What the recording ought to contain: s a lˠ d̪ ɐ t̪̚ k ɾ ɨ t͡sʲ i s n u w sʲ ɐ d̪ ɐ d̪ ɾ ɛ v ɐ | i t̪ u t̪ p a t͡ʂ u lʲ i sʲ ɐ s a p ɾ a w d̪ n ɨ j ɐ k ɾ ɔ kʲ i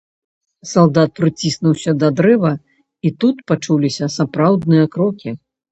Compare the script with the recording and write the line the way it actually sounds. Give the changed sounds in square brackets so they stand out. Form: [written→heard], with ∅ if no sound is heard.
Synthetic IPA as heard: s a lˠ d̪ [ɐ→a] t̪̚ [k→p] ɾ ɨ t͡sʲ i s n u w sʲ ɐ d̪ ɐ d̪ ɾ ɛ v ɐ | i t̪ u t̪ p a t͡ʂ u lʲ i sʲ ɐ s a p ɾ a w d̪ n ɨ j ɐ k ɾ ɔ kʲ i